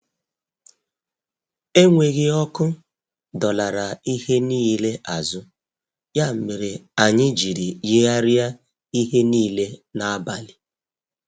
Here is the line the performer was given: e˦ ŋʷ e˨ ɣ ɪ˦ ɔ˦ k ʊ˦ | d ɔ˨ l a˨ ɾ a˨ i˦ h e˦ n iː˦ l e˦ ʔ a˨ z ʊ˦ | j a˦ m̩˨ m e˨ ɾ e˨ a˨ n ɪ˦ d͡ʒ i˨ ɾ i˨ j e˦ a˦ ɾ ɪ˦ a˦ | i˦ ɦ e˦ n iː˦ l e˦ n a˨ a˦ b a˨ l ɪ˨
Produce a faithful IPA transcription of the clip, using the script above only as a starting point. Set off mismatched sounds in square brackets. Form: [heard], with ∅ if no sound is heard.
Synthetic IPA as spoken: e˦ ŋʷ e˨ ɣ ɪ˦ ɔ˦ k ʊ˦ | d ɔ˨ l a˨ ɾ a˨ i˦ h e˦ n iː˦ l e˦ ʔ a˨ z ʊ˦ | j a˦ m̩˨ m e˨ ɾ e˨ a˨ [ɲ] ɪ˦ d͡ʒ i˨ ɾ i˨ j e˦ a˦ ɾ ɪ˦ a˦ | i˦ ɦ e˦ n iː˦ l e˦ n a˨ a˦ b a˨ l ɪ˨